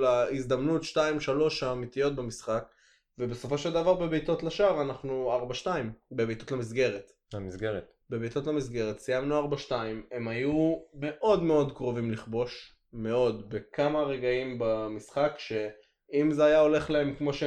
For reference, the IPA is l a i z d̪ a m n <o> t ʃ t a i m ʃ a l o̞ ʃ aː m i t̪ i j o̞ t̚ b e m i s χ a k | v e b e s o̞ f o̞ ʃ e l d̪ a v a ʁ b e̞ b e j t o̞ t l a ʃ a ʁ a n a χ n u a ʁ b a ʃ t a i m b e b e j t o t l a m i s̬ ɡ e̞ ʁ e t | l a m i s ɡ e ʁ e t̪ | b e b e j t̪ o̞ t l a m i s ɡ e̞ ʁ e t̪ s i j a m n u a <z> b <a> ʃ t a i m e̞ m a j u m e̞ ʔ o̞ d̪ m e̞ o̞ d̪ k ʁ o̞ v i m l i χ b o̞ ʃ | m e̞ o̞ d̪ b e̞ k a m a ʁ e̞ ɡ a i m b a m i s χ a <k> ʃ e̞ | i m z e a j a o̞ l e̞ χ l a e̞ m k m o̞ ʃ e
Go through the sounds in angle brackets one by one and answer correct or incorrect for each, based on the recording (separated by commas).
incorrect, incorrect, correct, correct